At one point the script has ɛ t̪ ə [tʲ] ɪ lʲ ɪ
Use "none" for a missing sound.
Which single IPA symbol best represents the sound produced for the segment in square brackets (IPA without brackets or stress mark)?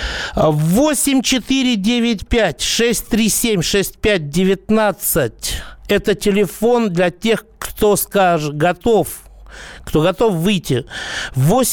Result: tʲ